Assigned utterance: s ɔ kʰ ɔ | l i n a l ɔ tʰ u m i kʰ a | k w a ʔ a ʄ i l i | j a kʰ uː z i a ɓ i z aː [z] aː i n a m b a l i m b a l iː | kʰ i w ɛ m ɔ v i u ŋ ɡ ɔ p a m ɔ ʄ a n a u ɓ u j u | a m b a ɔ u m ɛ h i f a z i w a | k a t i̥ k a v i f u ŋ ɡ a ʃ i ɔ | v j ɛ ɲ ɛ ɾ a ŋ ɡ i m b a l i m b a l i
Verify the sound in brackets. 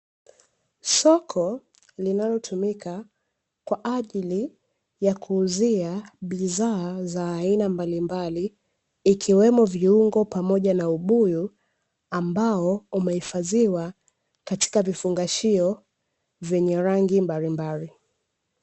correct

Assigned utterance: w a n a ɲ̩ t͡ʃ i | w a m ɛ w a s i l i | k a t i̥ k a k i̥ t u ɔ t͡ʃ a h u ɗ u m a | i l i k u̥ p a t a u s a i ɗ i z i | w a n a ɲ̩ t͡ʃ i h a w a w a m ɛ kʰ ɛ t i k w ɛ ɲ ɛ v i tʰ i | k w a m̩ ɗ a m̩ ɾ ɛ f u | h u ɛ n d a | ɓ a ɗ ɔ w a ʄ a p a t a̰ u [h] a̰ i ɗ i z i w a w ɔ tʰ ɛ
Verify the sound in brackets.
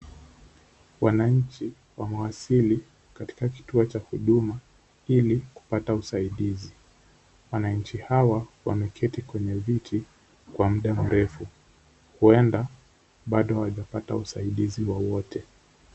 incorrect: s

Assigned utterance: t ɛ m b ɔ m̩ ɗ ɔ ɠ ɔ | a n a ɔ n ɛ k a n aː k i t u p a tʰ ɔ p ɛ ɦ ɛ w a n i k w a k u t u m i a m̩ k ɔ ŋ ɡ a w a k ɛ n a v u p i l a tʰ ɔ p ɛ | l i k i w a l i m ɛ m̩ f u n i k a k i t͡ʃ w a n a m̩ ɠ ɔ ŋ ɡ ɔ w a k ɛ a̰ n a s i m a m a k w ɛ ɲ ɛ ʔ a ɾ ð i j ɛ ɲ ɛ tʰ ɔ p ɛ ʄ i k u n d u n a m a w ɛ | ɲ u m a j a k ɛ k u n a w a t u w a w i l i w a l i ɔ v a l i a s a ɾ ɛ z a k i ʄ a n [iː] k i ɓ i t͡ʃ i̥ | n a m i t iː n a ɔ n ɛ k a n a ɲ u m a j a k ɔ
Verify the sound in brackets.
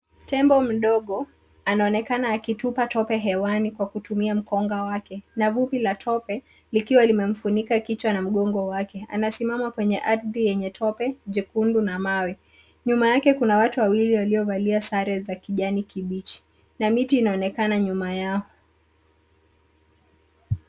incorrect: i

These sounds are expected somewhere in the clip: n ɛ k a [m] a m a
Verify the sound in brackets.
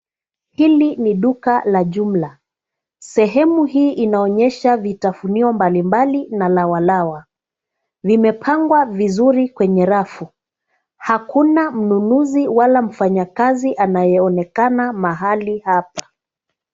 incorrect: n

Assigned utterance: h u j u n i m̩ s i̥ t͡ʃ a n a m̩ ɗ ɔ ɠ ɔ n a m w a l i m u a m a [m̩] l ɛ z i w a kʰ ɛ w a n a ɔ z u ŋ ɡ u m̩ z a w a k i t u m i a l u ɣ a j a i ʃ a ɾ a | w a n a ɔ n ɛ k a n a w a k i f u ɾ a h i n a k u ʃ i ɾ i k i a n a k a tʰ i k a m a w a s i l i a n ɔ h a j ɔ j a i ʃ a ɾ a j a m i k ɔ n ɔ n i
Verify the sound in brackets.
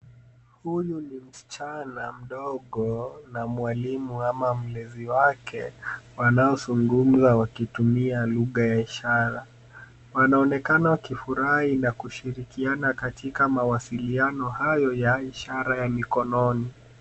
correct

